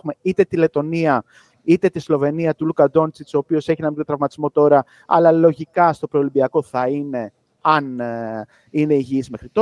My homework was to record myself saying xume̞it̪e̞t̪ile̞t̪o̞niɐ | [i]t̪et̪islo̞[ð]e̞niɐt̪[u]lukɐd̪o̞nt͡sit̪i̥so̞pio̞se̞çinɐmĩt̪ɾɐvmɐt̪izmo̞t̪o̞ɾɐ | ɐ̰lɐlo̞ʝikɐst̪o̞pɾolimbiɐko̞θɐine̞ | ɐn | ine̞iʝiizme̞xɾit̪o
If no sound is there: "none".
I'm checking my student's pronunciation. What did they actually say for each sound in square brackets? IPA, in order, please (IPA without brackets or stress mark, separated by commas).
i, v, u